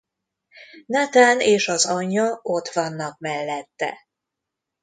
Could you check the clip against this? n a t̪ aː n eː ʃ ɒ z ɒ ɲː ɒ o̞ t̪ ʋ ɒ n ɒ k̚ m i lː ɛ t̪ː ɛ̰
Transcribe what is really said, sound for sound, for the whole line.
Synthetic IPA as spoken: n a t̪ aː n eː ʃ ɒ z ɒ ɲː ɒ o̞ t̪ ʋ ɒ nː ɒ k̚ m ɛ lː ɛ t̪ː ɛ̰